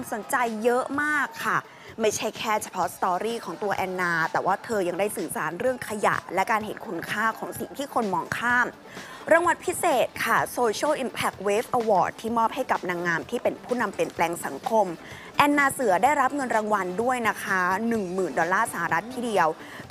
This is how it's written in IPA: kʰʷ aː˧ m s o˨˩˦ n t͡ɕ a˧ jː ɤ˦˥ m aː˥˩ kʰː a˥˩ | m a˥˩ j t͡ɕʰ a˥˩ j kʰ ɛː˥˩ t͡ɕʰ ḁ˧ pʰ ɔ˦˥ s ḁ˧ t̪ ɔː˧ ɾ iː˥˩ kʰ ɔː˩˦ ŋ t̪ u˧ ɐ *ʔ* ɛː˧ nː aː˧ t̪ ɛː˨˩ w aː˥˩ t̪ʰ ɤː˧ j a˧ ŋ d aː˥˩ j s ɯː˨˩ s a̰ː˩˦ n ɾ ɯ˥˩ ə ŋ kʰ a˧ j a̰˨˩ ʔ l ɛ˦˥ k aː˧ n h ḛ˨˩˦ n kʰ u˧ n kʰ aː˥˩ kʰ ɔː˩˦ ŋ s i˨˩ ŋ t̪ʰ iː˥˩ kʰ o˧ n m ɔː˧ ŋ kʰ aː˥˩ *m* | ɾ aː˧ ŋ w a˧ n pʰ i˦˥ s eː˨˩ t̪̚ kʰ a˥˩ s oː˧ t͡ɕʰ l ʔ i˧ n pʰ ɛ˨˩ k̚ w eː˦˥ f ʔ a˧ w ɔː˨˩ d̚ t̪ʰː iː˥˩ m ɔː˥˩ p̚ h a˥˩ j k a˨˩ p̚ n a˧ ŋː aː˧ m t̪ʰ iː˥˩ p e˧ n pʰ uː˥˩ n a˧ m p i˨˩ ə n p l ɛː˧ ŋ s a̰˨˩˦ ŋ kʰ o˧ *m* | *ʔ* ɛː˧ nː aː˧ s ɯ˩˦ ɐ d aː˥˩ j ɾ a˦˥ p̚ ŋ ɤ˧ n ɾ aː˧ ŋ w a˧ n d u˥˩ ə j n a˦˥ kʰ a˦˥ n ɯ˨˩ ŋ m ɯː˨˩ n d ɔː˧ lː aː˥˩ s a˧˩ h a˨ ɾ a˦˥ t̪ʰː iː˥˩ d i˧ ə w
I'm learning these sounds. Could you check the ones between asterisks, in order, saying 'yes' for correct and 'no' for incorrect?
yes, yes, yes, yes

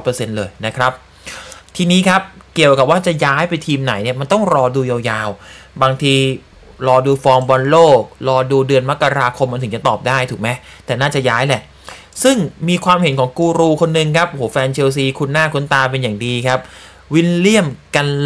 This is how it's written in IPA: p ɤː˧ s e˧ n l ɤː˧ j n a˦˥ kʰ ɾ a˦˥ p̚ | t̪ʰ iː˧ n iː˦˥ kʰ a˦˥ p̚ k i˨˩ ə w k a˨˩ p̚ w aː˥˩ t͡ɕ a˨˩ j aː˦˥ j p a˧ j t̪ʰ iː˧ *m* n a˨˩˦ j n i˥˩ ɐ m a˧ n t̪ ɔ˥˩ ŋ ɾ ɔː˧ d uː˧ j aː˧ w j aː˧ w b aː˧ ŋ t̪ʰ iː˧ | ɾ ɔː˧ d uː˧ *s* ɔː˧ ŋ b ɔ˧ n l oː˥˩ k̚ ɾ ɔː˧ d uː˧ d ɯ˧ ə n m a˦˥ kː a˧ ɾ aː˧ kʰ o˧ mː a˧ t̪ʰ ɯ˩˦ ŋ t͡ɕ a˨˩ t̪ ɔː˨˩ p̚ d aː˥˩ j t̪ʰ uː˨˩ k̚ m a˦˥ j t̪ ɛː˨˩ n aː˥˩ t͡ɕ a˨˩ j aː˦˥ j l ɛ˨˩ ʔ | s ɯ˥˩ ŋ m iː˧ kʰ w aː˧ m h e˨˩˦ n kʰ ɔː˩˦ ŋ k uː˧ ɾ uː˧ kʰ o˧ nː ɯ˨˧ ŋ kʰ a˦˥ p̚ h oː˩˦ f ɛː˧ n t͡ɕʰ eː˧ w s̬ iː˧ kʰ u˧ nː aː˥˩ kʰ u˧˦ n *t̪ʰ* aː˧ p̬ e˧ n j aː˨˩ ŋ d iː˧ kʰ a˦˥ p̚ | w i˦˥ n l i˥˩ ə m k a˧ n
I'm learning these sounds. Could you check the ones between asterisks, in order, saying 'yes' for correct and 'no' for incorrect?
yes, no, no

